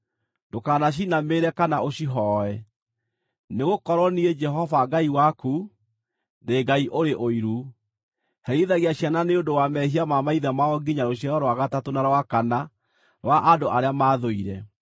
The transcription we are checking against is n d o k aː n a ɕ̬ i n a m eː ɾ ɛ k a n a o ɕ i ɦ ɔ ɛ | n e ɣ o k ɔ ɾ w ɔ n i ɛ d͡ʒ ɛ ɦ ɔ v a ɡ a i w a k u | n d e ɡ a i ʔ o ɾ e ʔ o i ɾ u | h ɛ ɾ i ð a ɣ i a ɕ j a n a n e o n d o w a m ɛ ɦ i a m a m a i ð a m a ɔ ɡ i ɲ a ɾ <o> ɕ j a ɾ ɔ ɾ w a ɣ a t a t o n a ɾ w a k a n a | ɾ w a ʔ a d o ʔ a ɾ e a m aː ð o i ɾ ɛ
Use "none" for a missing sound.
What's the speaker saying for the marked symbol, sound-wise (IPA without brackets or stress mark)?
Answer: o